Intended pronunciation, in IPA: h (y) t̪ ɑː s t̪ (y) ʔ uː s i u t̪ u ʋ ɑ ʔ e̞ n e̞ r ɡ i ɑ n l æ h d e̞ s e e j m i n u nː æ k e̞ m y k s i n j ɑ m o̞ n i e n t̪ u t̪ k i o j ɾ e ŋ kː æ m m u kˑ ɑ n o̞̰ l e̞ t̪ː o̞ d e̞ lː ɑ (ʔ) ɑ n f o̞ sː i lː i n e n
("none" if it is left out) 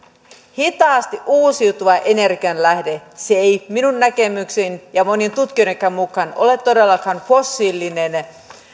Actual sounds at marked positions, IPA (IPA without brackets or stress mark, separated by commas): i, i, k